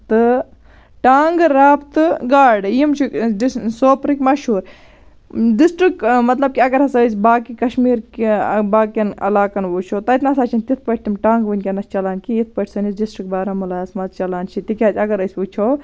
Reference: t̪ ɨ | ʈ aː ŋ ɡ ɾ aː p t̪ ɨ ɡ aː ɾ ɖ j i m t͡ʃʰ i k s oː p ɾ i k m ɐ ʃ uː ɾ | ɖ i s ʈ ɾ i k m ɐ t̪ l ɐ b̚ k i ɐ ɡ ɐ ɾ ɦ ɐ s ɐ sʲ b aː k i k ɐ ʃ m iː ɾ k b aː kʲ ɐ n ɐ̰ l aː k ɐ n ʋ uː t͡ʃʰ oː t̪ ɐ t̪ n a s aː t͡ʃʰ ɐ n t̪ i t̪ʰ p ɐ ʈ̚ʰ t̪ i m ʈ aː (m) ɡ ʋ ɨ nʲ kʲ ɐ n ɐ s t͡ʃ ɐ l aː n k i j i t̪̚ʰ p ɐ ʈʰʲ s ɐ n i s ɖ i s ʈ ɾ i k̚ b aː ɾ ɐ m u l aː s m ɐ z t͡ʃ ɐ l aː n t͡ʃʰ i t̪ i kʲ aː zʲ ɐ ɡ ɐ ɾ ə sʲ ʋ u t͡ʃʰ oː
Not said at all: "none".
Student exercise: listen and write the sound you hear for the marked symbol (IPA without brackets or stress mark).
ŋ